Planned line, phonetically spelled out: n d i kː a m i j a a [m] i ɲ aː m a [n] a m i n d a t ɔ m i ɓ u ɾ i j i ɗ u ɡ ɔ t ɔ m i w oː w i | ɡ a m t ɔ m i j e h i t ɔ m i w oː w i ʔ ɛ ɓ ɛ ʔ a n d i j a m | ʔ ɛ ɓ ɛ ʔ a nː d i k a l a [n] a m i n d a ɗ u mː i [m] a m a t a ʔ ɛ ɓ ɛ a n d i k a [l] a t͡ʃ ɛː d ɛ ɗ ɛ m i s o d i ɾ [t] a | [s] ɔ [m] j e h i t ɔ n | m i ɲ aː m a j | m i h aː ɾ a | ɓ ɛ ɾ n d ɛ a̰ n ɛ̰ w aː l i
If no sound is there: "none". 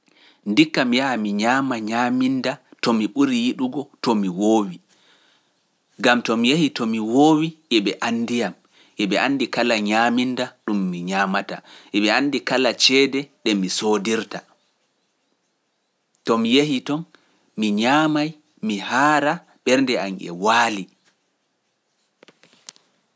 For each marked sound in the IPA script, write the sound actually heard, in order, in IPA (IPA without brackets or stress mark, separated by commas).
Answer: m, ɲ, ɲ, ɲ, l, t, t, m